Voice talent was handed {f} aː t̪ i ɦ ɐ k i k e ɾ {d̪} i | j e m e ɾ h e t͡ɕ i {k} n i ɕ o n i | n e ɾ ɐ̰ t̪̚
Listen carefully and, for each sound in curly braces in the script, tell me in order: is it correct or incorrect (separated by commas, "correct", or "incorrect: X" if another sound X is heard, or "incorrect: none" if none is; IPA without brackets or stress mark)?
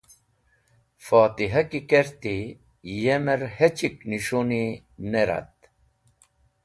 correct, incorrect: t̪, correct